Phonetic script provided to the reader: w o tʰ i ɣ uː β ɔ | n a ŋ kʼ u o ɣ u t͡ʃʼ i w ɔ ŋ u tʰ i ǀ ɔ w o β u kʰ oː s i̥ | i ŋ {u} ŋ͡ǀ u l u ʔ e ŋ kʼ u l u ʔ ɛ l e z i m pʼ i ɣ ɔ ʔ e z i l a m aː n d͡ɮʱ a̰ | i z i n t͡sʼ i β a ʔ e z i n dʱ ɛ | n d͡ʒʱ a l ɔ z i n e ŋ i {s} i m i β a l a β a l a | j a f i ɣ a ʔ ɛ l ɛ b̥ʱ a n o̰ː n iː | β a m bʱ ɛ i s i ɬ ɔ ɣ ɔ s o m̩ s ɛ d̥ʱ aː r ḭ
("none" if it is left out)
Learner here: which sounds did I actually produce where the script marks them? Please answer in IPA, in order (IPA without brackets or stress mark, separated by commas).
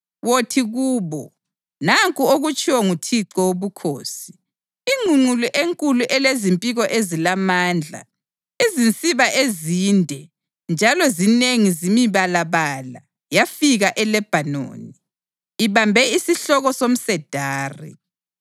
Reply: u, z